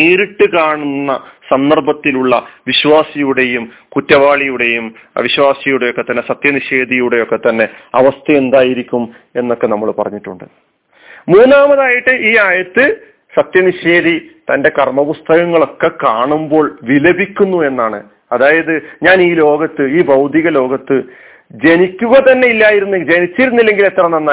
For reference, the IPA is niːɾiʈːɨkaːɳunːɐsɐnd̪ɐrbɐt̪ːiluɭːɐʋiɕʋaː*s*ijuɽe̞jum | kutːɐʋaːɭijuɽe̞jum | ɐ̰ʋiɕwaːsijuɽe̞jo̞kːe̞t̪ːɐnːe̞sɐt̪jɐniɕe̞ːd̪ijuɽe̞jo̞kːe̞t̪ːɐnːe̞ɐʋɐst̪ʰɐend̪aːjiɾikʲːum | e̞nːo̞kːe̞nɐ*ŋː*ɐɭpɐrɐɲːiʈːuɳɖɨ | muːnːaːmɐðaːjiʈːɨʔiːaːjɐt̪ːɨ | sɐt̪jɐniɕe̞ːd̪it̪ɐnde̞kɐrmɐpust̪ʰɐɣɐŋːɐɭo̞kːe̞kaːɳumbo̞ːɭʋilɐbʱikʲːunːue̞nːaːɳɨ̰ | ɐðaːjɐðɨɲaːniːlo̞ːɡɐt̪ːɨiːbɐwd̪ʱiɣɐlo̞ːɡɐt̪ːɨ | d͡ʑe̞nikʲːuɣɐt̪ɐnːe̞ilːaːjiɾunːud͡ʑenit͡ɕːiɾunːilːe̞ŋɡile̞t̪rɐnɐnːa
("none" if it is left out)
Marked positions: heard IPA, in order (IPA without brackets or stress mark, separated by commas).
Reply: s, mː